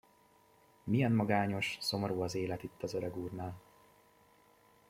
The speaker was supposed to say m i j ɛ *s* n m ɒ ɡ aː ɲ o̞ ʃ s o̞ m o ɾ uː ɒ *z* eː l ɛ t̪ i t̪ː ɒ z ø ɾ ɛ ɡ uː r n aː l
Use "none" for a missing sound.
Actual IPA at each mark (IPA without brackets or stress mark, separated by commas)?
none, z